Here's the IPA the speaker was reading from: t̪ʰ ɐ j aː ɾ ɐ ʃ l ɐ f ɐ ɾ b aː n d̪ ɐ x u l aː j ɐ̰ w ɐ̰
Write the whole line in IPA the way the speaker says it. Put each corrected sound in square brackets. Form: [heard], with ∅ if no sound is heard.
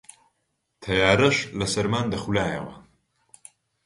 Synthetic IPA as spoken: t̪ʰ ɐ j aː ɾ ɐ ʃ l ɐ [s] ɐ ɾ [m] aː n d̪ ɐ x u l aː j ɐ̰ w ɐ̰